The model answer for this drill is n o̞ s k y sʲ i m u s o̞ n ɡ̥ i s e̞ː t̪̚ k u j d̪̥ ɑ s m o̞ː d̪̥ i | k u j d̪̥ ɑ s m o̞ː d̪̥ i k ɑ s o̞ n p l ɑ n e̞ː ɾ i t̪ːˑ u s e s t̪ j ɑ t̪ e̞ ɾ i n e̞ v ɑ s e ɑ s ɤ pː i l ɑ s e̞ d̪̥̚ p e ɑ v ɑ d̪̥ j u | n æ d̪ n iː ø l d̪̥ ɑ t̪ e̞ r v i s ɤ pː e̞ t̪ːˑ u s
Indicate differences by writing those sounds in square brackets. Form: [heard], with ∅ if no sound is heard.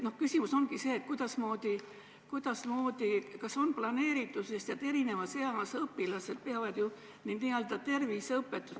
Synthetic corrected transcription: n o̞ [h] k y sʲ i m u s o̞ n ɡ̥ i s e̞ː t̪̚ k u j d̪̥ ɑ s m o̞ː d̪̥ i | k u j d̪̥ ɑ s m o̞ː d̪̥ i k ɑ s o̞ n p l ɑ n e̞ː ɾ i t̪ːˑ u s e s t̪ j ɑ t̪ e̞ ɾ i n e̞ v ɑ s e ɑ s ɤ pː i l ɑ s e̞ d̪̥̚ p e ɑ v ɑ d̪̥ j u | n [i] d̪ n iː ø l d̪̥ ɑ t̪ e̞ r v i s ɤ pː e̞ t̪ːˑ u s

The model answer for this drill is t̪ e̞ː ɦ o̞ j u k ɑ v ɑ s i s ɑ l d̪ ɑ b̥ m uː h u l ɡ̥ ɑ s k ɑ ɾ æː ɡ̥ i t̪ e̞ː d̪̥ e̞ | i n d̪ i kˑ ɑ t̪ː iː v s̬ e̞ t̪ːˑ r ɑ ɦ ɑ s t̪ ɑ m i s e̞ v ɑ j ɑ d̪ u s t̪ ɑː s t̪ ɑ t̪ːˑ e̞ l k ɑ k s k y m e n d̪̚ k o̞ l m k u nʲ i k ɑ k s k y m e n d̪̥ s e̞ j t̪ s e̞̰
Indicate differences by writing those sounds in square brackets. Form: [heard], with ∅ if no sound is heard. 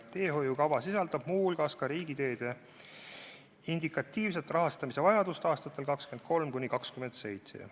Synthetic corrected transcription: t̪ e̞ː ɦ o̞ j u k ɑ v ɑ s i s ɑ l d̪ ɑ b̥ m uː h u l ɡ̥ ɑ s k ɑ ɾ [iː] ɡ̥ i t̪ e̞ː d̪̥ e̞ | i n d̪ i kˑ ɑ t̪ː iː v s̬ e̞ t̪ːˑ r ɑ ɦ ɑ s t̪ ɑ m i s e̞ v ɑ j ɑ d̪ u s t̪ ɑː s t̪ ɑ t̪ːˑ e̞ l k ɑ k s k y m e n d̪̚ k o̞ l m k u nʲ i k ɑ k s k y m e n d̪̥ s e̞ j t̪ s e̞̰

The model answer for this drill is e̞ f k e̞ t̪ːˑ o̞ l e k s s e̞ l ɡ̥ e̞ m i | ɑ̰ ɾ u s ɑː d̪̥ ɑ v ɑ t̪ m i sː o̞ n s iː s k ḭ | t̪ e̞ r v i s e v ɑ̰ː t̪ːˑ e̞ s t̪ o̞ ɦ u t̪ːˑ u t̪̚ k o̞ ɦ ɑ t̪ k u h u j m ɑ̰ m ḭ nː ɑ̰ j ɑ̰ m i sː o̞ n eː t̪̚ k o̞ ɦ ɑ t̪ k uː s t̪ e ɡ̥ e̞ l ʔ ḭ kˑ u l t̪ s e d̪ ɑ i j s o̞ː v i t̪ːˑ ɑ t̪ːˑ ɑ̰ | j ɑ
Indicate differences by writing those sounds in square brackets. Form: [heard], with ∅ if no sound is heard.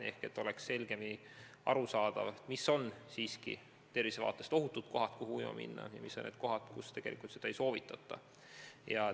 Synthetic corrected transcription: e̞ [h] k e̞ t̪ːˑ o̞ l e k s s e̞ l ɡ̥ e̞ m i | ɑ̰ ɾ u s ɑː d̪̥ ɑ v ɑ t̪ m i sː o̞ n s iː s k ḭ | t̪ e̞ r v i s e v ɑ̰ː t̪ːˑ e̞ s t̪ o̞ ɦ u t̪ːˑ u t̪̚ k o̞ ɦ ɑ t̪ k u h u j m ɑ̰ m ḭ nː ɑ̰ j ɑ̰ m i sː o̞ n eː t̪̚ k o̞ ɦ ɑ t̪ k [u] s t̪ e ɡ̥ e̞ l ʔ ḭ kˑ u l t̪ s e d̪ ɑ [e] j s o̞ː v i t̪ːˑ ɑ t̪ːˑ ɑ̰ | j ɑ

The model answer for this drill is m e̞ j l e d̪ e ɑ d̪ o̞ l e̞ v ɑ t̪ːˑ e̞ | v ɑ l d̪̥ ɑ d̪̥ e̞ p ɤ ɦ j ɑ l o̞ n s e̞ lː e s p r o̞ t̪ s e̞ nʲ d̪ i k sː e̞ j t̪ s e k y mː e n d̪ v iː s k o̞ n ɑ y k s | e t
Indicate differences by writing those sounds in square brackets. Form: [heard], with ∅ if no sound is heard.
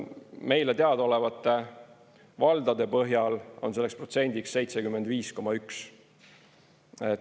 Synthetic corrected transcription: m e̞ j l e [t̪] e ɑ d̪ o̞ l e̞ v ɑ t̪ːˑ e̞ | v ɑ l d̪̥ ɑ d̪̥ e̞ p ɤ ɦ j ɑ l o̞ n s e̞ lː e s p r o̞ t̪ s e̞ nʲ d̪ i k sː e̞ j t̪ s e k y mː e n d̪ v iː s k o̞ [m] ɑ y k s | e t

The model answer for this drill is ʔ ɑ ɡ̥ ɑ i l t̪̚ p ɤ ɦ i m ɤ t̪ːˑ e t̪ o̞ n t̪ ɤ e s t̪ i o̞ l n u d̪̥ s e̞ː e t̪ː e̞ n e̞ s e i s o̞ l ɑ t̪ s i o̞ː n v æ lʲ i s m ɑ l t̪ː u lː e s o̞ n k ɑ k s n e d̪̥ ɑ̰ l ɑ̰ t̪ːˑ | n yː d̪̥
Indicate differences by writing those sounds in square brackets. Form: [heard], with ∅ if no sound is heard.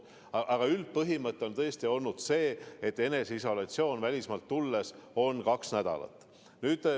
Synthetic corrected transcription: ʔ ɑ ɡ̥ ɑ [y] l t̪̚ p ɤ ɦ i m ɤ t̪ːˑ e [∅] o̞ n t̪ ɤ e s t̪ i o̞ l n u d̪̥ s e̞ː e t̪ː e̞ n e̞ s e i s o̞ l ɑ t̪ s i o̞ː n v æ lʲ i s m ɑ l t̪ː u lː e s o̞ n k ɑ k s n [æ] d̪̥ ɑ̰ l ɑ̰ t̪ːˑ | n yː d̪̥

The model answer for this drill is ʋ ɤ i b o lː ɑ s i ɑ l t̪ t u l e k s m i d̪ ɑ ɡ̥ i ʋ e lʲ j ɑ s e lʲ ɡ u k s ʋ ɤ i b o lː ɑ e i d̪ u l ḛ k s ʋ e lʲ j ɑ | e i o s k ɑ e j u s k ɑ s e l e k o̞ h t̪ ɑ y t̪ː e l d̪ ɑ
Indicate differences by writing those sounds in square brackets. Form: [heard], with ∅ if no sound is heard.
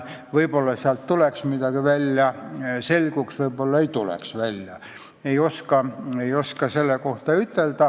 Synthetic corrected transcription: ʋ ɤ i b o lː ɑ s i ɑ l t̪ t u l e k s m i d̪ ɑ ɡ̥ i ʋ [æ] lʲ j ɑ s e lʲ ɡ u k s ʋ ɤ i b o lː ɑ e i [t̪] u l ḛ k s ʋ [æ] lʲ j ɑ | e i o s k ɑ e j [o] s k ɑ s e [lː] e k o̞ h t̪ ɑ y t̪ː e l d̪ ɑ

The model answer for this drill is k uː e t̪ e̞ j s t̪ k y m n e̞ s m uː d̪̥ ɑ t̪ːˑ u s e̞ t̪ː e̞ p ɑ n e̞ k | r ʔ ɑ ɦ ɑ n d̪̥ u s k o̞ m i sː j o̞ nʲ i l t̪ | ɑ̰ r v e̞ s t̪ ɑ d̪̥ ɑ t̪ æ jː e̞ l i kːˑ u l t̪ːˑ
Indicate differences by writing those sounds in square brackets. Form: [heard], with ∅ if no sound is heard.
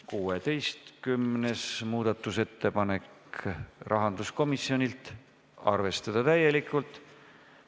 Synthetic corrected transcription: k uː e t̪ e̞ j s t̪ k y m n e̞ s m uː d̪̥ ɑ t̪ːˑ u s e̞ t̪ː e̞ p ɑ n e̞ k | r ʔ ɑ ɦ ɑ n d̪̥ u s k o̞ m i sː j o̞ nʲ i l t̪ | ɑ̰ r v e̞ s t̪ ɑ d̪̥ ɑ t̪ æ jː e̞ l i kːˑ u l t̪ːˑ

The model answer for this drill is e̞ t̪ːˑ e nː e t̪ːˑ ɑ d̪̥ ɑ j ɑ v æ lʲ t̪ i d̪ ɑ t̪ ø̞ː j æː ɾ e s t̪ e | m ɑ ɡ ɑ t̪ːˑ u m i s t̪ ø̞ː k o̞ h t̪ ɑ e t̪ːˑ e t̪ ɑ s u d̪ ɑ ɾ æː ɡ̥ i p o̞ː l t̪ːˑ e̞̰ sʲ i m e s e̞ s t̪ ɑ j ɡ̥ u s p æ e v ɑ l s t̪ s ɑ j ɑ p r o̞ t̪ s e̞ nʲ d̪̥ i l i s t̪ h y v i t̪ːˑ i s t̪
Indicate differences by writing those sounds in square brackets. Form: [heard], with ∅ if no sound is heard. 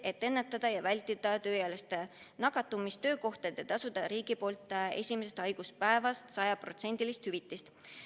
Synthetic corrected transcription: e̞ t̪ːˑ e nː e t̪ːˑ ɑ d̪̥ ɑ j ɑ v æ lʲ t̪ i d̪ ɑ t̪ ø̞ː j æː [l] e s t̪ e | [n] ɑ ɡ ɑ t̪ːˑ u m i s t̪ ø̞ː k o̞ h t̪ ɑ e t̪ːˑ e t̪ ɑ s u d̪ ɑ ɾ [iː] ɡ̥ i p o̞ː l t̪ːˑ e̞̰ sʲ i m e s e̞ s t̪ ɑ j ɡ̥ u s p æ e v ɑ [∅] s t̪ s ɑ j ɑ p r o̞ t̪ s e̞ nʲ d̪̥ i l i s t̪ h y v i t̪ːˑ i s t̪

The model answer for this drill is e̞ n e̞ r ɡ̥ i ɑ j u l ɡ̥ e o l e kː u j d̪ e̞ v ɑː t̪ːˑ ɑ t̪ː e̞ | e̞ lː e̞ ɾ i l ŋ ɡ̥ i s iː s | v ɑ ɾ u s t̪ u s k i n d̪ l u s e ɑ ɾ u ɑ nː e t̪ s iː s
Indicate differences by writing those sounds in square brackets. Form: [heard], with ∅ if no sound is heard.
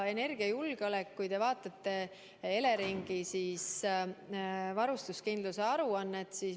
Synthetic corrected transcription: e̞ n e̞ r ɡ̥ i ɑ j u l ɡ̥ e o l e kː u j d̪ e̞ v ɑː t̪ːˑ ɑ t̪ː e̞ | e̞ [l] e̞ ɾ i [∅] ŋ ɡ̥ i s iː s | v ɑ ɾ u s t̪ u s k i n d̪ l u s e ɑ ɾ u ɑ nː e t̪ s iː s

